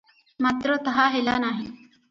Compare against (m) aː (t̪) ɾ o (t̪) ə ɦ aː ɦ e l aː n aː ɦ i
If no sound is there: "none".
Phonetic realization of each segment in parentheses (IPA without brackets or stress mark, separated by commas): m, t̪, t̪